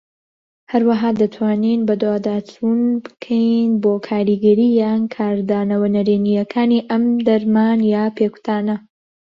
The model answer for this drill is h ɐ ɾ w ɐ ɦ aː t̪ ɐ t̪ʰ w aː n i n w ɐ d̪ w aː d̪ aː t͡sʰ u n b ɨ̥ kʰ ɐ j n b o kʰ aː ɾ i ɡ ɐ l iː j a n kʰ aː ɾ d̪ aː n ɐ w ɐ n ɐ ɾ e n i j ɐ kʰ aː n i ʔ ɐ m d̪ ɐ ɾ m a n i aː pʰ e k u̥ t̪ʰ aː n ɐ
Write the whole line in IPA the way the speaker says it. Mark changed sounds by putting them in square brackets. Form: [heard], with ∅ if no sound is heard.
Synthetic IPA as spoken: h ɐ ɾ w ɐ ɦ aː [d̪] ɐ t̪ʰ w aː n i n [b] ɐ d̪ w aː d̪ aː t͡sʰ u n b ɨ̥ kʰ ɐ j n b o kʰ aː ɾ i ɡ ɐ [ɾ] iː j a n kʰ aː ɾ d̪ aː n ɐ w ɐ n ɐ ɾ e n i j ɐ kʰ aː n i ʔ ɐ m d̪ ɐ ɾ m a n [j] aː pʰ e k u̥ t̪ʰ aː n ɐ